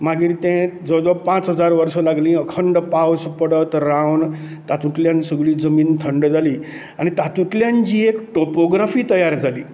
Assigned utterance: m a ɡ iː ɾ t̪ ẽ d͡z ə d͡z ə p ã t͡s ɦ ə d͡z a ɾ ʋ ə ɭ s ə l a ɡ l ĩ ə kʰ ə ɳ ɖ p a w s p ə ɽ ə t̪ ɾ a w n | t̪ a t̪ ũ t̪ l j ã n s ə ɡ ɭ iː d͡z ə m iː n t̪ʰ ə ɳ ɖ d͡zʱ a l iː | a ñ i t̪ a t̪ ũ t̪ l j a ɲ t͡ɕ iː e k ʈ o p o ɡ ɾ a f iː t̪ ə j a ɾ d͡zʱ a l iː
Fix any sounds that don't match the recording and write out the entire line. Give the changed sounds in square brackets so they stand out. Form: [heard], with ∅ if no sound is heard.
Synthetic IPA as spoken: m a ɡ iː ɾ t̪ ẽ d͡z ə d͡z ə p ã t͡s ɦ ə d͡z a ɾ ʋ ə [ɾ] s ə l a ɡ l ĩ ə kʰ ə ɳ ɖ p a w s p ə ɽ ə t̪ ɾ a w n | t̪ a t̪ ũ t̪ l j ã n s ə ɡ ɭ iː d͡z ə m iː n t̪ʰ ə ɳ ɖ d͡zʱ a l iː | a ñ i t̪ a t̪ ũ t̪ l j a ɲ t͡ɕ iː e k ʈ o p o ɡ ɾ a f iː t̪ ə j a ɾ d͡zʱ a l iː